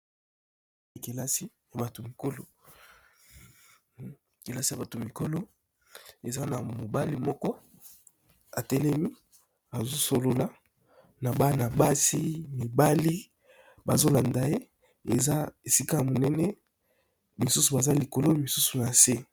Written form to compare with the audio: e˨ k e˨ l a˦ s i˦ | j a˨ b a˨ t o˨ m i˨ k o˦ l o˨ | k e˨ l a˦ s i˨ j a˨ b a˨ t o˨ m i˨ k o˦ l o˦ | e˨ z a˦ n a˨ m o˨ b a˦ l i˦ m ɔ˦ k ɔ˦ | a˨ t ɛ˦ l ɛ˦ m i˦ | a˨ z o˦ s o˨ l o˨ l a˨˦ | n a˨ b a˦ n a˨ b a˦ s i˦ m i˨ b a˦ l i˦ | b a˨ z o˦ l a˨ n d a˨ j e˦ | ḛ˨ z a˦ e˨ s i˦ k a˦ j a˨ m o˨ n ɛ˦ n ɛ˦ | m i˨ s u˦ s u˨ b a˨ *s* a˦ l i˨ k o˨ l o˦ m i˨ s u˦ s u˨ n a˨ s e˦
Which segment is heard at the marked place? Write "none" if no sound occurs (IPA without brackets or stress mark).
z